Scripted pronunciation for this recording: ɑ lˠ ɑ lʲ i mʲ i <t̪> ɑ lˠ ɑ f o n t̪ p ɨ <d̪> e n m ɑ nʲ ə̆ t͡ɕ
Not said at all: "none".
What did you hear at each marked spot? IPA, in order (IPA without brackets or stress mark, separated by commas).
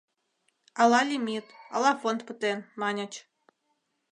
t̪, t̪